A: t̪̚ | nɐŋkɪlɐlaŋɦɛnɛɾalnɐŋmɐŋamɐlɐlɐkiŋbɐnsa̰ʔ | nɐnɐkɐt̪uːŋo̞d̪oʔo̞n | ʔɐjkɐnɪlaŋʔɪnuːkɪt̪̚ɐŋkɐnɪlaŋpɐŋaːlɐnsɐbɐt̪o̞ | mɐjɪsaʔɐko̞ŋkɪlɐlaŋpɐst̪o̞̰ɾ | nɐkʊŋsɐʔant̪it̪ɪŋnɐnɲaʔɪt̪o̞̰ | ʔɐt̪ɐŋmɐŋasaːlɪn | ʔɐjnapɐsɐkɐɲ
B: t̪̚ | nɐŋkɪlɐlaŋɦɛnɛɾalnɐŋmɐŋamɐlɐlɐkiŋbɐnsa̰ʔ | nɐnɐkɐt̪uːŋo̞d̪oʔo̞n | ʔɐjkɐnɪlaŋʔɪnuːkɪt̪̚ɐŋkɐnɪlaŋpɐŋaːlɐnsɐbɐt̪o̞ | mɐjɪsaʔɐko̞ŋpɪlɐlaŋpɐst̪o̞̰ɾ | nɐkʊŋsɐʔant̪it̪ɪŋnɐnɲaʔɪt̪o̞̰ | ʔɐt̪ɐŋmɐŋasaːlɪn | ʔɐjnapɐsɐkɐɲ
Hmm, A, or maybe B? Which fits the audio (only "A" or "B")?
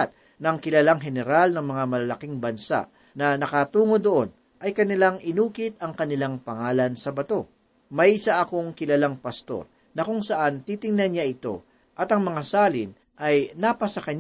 A